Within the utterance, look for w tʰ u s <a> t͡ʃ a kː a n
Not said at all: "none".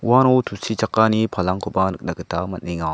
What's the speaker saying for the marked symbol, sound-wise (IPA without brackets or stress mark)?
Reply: i